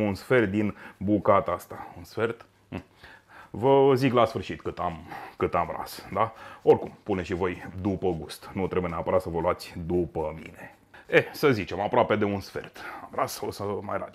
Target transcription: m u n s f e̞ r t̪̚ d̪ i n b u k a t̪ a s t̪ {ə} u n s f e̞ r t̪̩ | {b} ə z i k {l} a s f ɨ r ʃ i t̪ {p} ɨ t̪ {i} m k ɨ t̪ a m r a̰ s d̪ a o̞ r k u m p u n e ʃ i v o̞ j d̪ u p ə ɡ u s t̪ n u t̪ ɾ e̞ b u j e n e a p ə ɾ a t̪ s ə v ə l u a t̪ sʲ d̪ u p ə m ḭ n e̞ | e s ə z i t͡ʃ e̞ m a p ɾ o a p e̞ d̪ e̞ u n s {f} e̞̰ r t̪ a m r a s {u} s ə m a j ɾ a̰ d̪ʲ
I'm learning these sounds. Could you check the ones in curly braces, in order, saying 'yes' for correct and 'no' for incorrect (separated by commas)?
no, no, yes, no, no, yes, no